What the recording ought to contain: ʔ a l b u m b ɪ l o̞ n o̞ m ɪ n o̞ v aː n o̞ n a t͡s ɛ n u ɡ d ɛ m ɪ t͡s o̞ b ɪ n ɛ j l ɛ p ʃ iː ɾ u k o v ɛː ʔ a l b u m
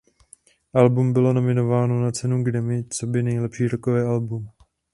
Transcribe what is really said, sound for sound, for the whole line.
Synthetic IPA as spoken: ʔ a l b u m b ɪ l o̞ n o̞ m ɪ n o̞ v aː n o̞ n a t͡s ɛ n u ɡ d ɛ m ɪ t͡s o̞ b ɪ n ɛ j l ɛ p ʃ iː ɾ o k o v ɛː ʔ a l b u m